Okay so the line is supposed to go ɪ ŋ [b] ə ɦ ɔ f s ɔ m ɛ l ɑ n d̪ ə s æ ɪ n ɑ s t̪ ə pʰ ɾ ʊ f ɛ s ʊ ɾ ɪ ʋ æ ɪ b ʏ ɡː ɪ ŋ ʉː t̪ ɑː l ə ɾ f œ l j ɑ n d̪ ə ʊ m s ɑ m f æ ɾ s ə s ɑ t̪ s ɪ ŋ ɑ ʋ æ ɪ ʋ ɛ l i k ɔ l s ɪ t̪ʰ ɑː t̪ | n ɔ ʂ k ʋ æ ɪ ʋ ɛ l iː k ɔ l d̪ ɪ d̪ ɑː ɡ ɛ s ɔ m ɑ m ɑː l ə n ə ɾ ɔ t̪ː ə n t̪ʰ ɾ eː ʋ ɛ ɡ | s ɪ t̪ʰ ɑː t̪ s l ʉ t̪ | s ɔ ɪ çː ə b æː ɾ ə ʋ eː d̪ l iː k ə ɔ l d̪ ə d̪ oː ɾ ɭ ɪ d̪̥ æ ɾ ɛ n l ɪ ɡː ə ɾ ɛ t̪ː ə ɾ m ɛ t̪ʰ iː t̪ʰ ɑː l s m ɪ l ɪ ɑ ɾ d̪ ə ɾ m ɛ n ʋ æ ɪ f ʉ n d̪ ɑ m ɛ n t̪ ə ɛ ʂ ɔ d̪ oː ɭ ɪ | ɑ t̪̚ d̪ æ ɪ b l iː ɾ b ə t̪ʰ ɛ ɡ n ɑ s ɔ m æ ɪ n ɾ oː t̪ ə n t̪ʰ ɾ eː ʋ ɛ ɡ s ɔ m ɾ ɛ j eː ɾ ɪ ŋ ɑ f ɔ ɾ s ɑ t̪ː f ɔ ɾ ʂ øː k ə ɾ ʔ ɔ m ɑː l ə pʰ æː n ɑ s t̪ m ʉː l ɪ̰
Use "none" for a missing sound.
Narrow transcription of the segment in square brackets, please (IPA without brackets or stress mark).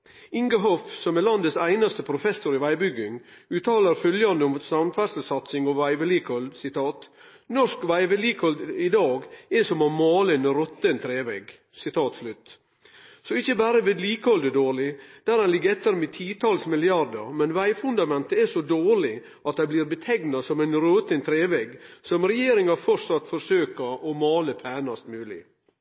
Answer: ɡ